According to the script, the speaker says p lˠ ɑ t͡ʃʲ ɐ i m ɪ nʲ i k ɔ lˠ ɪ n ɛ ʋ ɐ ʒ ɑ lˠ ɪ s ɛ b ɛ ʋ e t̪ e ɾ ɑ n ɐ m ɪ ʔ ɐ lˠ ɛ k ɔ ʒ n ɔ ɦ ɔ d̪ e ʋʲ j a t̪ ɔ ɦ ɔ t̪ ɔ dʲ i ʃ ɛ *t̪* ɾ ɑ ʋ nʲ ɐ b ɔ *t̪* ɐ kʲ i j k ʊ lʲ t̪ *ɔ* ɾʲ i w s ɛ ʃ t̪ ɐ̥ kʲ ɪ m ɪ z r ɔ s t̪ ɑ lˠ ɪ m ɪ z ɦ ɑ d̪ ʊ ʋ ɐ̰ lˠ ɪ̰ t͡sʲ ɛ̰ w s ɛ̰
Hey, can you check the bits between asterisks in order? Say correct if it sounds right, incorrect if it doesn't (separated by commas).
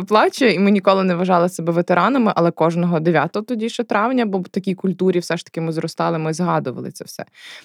correct, correct, incorrect